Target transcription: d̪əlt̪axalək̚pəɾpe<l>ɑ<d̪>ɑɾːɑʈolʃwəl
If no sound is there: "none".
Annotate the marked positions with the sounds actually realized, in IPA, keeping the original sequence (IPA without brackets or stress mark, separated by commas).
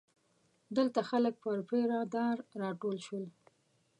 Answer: ɾ, d̪